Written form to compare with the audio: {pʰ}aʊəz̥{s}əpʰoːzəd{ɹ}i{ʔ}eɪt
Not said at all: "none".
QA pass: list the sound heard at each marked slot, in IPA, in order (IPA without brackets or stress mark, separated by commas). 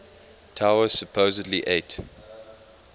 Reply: tʰ, s, l, ʔ